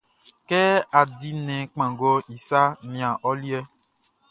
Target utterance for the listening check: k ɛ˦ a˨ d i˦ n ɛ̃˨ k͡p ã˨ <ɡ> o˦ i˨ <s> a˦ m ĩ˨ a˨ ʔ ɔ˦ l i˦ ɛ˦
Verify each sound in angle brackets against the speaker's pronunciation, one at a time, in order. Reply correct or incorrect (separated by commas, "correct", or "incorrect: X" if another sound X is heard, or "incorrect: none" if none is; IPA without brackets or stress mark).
correct, correct